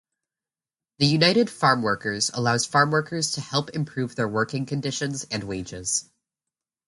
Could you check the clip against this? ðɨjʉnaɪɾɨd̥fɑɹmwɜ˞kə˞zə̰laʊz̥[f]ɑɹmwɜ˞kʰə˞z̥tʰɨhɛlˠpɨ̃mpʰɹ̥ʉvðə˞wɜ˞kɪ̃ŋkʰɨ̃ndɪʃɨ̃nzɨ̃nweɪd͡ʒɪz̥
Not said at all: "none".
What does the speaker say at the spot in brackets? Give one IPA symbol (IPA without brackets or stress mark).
f